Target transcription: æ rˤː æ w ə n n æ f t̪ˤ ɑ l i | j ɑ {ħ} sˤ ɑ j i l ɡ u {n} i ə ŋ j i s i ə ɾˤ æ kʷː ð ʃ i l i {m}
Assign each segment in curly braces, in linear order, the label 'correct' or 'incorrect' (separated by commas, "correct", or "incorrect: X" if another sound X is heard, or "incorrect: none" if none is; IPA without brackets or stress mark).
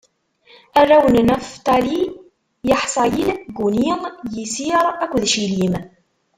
correct, correct, correct